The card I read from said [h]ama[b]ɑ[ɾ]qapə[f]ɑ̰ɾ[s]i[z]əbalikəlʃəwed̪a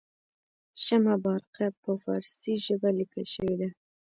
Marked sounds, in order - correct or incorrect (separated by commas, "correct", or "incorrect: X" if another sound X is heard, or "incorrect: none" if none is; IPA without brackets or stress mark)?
incorrect: ʃ, correct, correct, correct, correct, incorrect: ʒ